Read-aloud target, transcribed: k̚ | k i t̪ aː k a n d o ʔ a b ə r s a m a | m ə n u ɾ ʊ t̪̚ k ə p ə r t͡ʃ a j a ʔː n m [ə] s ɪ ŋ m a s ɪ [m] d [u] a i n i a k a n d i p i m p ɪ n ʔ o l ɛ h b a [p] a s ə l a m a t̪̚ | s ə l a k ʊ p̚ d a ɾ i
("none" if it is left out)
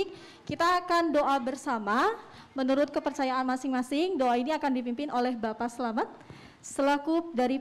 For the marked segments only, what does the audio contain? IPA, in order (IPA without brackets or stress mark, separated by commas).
a, ŋ, o, p